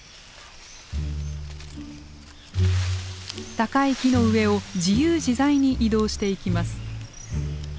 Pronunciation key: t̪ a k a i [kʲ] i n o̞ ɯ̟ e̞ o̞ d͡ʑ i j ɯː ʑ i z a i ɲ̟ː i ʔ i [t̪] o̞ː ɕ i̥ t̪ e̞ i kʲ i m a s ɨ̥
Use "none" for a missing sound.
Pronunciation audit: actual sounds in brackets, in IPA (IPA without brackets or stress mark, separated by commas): kʲ, d̪